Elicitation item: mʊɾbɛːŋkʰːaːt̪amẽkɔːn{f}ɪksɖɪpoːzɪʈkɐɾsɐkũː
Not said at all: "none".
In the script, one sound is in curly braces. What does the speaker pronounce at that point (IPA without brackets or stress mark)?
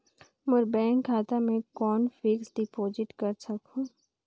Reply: f